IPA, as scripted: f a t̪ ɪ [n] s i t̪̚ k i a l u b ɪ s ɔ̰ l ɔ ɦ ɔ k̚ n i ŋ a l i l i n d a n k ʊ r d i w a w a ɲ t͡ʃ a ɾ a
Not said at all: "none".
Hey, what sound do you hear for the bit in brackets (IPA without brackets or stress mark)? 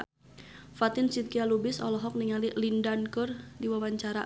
n